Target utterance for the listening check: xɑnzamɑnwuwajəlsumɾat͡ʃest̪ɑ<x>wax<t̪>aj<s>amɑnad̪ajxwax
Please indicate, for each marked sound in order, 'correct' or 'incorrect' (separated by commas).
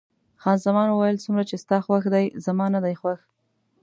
correct, incorrect, incorrect